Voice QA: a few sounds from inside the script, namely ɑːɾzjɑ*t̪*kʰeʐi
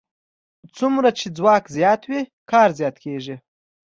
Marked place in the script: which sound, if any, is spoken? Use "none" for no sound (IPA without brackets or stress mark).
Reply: t̪